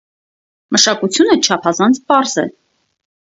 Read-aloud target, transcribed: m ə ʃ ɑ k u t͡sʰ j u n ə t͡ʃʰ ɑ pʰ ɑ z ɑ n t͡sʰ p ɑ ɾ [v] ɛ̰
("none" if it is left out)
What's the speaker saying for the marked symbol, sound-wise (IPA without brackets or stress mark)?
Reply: z